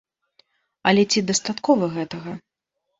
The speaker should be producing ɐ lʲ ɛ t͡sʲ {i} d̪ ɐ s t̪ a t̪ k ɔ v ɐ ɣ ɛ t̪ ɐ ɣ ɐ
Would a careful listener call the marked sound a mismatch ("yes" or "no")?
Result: no